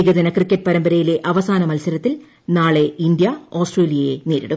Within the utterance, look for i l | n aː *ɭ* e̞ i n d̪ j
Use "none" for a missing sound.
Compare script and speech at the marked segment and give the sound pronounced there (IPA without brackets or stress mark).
ɭ